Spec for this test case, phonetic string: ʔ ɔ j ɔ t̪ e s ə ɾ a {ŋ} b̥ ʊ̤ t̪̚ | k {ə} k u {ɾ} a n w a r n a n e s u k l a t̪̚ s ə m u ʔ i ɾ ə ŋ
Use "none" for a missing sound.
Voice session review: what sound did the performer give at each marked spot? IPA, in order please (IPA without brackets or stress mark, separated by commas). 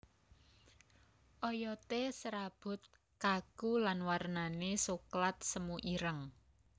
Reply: none, a, l